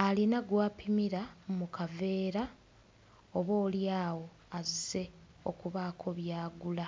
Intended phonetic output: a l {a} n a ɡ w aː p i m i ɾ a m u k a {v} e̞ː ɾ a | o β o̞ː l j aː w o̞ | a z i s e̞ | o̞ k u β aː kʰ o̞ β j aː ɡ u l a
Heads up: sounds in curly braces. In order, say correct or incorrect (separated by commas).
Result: incorrect, correct